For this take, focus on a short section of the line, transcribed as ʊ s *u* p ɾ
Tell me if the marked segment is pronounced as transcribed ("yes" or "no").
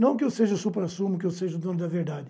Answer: yes